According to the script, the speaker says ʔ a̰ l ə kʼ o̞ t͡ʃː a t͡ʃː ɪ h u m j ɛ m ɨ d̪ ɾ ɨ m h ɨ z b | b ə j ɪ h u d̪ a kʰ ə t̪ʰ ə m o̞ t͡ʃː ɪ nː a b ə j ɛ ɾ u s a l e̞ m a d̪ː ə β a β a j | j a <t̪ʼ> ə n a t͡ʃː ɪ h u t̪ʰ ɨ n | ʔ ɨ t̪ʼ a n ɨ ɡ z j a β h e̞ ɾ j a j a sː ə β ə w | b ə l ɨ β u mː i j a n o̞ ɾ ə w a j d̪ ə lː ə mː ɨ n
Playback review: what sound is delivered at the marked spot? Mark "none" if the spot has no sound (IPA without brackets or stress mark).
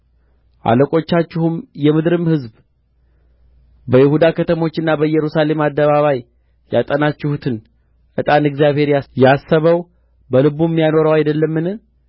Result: t̪ʼ